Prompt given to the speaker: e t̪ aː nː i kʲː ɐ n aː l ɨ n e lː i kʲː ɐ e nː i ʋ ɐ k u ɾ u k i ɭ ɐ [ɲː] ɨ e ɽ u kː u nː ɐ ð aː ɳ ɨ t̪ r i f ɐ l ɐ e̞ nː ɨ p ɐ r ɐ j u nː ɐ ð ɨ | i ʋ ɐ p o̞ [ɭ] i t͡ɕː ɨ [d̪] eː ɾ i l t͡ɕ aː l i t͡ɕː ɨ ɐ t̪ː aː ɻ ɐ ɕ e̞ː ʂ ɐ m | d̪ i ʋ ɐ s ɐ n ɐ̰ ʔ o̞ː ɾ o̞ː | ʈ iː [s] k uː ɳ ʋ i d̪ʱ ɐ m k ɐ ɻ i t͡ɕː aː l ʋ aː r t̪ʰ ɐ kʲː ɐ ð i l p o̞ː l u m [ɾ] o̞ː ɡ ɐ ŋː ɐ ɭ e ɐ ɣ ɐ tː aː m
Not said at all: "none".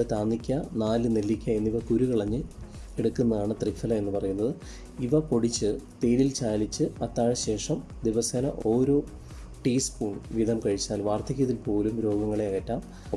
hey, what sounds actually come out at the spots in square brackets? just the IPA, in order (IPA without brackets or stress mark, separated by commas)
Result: ɲː, ɽ, t̪, s, ɾ